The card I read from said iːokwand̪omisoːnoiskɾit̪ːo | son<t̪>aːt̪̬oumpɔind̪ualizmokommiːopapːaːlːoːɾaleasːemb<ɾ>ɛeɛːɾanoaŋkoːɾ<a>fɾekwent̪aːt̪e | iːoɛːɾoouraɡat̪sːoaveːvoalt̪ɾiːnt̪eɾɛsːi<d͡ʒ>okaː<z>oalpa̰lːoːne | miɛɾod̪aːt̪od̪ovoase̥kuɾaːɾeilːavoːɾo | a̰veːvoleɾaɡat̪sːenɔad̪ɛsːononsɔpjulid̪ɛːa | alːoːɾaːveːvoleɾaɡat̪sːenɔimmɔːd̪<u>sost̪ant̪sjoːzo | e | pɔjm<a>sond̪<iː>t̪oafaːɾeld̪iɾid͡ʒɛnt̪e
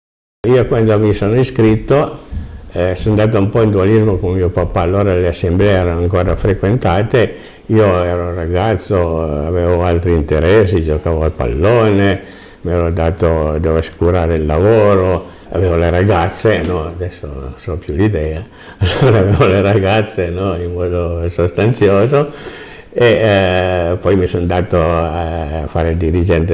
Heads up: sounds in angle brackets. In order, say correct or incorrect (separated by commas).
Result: incorrect, incorrect, correct, correct, incorrect, incorrect, incorrect, incorrect